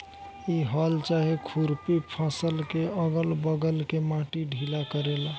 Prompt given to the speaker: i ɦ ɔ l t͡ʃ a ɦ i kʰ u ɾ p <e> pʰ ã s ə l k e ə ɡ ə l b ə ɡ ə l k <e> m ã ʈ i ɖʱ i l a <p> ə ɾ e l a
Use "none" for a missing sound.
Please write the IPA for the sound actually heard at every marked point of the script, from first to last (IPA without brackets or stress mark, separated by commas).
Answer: i, e, k